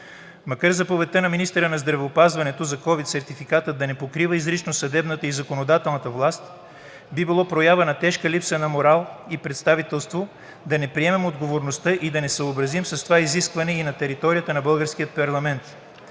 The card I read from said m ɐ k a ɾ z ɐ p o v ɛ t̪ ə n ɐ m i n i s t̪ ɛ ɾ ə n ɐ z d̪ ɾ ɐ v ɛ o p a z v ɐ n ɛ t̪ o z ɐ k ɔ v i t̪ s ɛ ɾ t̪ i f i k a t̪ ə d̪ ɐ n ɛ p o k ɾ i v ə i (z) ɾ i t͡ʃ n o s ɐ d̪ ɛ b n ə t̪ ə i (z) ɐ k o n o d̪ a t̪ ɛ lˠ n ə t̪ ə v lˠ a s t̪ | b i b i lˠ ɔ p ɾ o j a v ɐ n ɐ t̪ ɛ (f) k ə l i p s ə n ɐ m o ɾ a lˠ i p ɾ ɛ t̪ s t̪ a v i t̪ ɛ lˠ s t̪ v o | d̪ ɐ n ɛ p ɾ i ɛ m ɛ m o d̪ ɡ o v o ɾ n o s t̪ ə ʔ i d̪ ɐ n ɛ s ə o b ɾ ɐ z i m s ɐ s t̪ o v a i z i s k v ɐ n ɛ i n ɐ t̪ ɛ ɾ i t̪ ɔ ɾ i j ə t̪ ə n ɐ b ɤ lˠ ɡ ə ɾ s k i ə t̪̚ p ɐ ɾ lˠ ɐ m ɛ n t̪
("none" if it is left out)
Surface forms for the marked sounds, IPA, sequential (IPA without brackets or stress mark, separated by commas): z, z, ʃ